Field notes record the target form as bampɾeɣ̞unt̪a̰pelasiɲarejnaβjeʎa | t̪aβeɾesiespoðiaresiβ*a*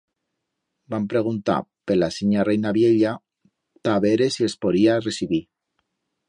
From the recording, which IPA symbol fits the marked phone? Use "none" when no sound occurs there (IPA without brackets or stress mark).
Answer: i